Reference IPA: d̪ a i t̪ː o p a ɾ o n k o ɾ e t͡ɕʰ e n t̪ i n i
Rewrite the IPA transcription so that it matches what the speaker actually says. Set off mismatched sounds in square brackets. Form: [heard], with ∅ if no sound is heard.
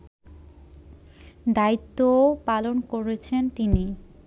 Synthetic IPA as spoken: d̪ a i t̪ː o p a [l] o n k o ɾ e t͡ɕʰ e n t̪ i n i